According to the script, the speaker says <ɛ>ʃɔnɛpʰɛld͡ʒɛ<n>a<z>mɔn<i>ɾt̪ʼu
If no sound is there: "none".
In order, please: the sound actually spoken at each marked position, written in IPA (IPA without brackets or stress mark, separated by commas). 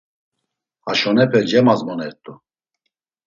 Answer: a, m, z, ɛ